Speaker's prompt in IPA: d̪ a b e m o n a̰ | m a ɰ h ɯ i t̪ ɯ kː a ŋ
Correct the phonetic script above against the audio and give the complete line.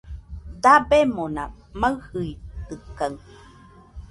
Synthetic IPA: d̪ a b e m o n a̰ | m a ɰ h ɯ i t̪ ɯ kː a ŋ